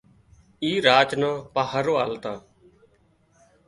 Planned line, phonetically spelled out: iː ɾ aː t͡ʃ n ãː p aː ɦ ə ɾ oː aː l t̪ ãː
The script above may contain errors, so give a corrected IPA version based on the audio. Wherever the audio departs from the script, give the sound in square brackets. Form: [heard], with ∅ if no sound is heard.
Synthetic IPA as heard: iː ɾ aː t͡ʃ n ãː p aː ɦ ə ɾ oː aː l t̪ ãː